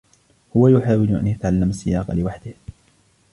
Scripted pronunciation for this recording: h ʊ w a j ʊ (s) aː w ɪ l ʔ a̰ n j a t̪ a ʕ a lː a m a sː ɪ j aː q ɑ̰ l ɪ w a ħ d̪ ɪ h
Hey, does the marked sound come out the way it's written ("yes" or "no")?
no